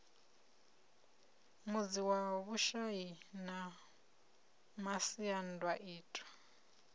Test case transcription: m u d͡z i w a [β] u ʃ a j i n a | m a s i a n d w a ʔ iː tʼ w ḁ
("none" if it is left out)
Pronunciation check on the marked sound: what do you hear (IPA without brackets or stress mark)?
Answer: β